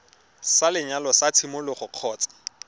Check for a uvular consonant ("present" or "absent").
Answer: present